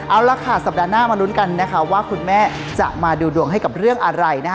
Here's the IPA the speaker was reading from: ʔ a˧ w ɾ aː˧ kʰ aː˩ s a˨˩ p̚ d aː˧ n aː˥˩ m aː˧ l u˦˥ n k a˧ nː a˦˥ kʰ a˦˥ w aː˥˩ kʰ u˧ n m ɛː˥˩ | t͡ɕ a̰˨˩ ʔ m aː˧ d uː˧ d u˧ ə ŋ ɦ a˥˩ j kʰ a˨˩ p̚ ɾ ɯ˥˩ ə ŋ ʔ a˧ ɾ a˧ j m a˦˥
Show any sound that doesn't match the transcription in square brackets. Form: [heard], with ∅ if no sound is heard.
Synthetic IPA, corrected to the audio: ʔ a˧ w ɾ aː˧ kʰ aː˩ s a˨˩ p̚ d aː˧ n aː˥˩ m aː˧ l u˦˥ n k a˧ nː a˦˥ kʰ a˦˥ w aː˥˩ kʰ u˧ n m ɛː˥˩ | t͡ɕ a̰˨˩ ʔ m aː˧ d uː˧ d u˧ ə ŋ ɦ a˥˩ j [k] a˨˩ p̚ ɾ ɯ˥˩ ə ŋ ʔ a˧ ɾ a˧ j [n] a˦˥